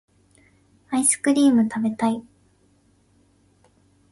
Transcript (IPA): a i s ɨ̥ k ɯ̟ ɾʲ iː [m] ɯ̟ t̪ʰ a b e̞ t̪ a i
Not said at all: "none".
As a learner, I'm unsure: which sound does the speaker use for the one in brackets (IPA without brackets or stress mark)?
m